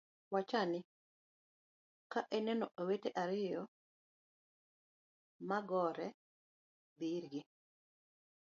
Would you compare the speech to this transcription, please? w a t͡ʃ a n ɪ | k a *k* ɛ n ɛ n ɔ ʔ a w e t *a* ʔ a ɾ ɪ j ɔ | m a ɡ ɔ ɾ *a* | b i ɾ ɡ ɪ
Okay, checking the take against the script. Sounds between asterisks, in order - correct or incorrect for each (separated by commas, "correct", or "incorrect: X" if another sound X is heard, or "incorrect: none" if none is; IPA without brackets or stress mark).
incorrect: ʔ, incorrect: e, incorrect: ɛ